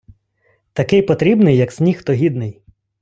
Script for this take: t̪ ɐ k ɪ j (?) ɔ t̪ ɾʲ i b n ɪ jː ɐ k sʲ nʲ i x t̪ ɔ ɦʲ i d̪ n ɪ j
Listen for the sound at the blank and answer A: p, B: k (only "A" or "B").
A